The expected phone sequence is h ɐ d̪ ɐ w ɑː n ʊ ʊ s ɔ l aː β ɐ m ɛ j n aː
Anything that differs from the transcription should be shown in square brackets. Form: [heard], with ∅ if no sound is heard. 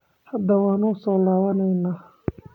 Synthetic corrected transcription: h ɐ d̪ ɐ w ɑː n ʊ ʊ s [ɔː] l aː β ɐ [n] ɛ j n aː